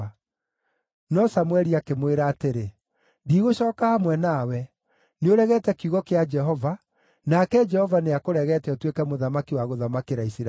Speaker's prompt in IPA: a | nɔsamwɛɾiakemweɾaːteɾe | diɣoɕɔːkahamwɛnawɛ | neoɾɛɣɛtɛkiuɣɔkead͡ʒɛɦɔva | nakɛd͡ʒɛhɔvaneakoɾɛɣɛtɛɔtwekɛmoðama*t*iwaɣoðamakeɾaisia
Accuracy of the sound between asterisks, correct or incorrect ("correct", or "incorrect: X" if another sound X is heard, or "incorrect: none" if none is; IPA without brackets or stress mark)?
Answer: incorrect: k